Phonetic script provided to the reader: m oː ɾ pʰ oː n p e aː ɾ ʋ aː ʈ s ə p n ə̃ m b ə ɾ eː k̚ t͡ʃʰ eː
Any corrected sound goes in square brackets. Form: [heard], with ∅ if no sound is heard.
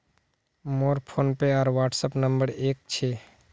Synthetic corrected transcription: m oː ɾ pʰ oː n p e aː ɾ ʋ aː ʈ s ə p n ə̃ m b ə ɾ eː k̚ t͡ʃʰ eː